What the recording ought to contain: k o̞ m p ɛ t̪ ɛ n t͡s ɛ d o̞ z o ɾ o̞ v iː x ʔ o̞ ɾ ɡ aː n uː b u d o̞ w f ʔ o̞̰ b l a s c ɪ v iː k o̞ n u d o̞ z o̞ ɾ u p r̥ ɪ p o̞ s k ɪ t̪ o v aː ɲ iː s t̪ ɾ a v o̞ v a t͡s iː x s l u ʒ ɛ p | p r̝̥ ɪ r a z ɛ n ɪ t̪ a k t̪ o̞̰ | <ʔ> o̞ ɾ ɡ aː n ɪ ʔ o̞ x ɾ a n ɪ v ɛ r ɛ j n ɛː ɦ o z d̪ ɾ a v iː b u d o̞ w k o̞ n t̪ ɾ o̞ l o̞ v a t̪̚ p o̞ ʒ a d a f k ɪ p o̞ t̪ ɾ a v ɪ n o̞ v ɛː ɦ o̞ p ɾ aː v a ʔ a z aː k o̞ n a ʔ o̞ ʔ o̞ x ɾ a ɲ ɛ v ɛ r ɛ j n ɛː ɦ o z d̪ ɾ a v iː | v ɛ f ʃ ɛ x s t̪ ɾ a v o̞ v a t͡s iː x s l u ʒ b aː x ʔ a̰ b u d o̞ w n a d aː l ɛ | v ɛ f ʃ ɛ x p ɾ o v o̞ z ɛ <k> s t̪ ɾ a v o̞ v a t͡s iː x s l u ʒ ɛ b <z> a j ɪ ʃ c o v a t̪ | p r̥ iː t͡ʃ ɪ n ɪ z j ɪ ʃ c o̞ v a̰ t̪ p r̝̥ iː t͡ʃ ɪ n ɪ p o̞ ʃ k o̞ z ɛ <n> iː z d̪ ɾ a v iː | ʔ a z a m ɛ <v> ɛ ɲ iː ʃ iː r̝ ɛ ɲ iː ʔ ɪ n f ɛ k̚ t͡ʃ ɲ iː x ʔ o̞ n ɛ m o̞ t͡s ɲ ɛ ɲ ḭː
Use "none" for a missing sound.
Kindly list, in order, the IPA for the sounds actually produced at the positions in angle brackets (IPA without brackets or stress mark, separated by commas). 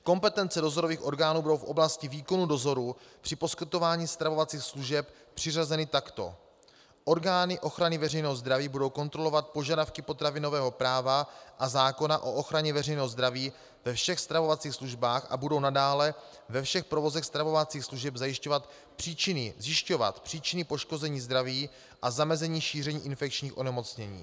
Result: ʔ, x, z, ɲ, z